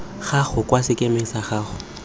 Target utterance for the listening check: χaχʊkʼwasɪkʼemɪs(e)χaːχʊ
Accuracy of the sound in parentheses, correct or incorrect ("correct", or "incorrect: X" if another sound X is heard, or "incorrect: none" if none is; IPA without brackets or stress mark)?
incorrect: a